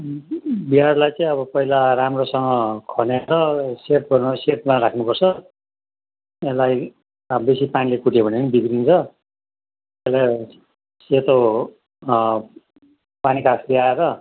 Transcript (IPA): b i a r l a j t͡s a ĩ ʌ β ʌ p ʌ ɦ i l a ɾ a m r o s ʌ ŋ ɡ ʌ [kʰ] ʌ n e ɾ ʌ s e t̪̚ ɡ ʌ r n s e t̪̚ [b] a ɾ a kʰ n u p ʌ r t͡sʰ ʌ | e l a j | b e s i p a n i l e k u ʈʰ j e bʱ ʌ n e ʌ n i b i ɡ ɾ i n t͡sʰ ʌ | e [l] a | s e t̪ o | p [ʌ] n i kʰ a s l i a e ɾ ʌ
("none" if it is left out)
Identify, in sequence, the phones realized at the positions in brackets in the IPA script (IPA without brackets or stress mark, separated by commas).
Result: kʰ, m, l, a